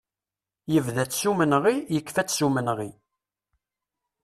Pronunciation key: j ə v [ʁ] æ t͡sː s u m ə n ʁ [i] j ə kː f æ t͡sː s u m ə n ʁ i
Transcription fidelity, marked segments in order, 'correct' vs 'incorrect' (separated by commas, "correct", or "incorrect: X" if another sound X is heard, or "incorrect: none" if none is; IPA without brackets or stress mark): incorrect: ð, correct